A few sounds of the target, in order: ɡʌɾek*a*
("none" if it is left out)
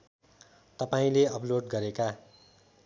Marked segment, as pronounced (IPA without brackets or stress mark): a